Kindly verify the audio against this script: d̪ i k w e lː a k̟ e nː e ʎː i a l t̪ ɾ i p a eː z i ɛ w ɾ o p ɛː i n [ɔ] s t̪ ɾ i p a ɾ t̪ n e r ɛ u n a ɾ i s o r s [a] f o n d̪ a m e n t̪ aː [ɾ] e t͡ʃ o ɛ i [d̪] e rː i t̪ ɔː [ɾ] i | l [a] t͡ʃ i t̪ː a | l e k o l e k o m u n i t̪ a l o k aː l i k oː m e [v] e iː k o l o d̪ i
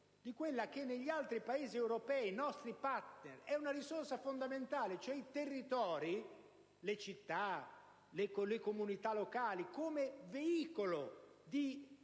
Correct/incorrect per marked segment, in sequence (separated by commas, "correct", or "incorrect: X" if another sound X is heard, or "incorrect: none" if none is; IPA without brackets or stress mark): correct, correct, incorrect: l, incorrect: t̪, correct, incorrect: e, correct